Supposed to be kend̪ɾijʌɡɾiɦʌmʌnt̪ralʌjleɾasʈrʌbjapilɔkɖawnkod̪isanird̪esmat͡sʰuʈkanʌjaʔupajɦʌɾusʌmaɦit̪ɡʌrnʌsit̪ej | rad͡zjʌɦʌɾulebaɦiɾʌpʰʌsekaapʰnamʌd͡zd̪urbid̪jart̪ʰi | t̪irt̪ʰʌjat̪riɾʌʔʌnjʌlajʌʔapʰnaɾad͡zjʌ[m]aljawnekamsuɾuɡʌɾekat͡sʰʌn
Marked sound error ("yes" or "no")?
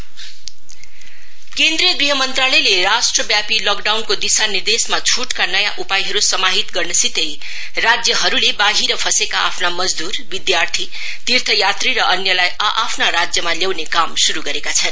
no